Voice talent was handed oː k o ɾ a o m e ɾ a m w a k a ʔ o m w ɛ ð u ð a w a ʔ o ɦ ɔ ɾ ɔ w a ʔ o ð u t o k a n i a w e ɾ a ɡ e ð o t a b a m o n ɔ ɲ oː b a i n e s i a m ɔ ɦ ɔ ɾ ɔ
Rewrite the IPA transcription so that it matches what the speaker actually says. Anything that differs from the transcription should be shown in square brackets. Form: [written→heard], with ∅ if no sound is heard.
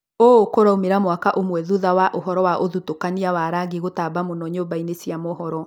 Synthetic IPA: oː k o ɾ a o m e ɾ a m w a k a ʔ o m w ɛ ð u ð a w a ʔ o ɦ ɔ ɾ ɔ w a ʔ o ð u t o k a n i a w [e→a] ɾ a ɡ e [ð→ɣ] o t a b a m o n ɔ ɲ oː b a i n e s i a m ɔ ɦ ɔ ɾ ɔ